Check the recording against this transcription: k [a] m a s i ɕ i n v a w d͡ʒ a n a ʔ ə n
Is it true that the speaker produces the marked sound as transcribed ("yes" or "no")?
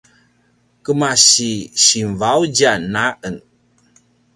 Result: no